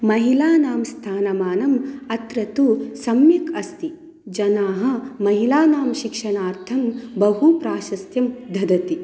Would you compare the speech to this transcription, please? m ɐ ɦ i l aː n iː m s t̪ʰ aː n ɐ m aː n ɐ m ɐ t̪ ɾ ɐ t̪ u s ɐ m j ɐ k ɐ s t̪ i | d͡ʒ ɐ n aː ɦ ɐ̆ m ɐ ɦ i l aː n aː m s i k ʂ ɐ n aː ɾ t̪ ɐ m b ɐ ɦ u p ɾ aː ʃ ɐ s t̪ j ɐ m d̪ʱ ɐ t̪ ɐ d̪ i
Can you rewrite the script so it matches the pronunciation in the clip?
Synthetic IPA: m ɐ ɦ i l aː n aː m s t̪ʰ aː n ɐ m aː n ɐ m ɐ t̪ ɾ ɐ t̪ u s ɐ m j ɐ k ɐ s t̪ i | d͡ʒ ɐ n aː ɦ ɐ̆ m ɐ ɦ i l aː n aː m ʃ i k ʂ ɐ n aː ɾ t̪ʰ ɐ m b ɐ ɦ u p ɾ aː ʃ ɐ s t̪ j ɐ m d̪ʱ ɐ d̪ ɐ t̪ i